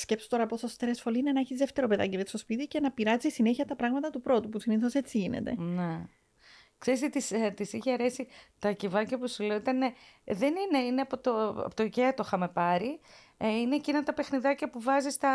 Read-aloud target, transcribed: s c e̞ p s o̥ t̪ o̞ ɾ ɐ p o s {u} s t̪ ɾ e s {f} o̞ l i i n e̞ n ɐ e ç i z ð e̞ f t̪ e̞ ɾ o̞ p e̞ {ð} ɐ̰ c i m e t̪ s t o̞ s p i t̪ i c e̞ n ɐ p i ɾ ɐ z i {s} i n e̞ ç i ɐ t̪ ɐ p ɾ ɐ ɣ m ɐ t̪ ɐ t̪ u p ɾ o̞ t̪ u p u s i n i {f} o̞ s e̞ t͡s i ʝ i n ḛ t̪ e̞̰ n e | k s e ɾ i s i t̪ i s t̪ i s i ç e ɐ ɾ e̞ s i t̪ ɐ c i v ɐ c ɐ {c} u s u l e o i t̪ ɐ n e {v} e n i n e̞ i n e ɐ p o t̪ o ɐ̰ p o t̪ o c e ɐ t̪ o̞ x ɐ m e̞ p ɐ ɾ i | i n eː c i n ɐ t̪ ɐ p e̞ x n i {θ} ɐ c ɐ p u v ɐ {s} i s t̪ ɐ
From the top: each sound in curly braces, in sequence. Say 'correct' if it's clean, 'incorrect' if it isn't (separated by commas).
incorrect, correct, correct, correct, incorrect, incorrect, incorrect, incorrect, incorrect